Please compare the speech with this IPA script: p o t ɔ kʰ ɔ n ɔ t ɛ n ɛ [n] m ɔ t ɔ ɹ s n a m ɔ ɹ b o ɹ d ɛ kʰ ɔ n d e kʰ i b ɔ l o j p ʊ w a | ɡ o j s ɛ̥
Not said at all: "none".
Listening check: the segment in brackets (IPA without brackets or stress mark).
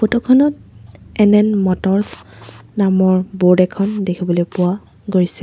n